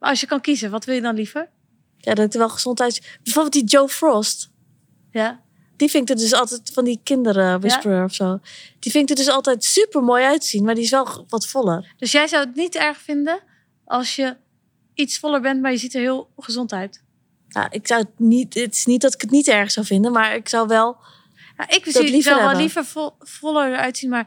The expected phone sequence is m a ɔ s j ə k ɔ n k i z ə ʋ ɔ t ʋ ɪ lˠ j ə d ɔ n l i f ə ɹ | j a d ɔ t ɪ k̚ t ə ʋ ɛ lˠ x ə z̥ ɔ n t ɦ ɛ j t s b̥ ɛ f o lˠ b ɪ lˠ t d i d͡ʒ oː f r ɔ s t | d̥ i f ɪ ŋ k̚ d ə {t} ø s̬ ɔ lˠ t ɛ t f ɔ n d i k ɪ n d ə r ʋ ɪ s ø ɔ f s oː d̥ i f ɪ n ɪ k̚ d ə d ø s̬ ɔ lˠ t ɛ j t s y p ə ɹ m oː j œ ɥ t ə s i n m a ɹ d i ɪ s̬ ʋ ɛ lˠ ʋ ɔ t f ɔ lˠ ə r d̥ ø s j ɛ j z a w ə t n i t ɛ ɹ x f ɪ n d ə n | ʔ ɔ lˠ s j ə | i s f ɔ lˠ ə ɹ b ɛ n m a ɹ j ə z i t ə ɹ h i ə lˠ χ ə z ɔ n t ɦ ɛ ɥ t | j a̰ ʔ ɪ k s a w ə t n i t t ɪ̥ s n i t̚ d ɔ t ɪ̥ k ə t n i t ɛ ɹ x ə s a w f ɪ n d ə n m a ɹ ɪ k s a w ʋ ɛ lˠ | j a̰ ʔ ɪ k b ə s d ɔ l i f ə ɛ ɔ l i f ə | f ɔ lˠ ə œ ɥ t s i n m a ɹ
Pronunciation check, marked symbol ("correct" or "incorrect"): incorrect